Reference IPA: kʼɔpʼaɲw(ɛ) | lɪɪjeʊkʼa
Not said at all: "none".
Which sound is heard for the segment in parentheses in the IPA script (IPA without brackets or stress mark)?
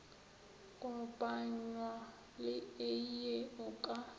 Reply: a